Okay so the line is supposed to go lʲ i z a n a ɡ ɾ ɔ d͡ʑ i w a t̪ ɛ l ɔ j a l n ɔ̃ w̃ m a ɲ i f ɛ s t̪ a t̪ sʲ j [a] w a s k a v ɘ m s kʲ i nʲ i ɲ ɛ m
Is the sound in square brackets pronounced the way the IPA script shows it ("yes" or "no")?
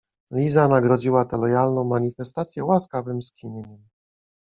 no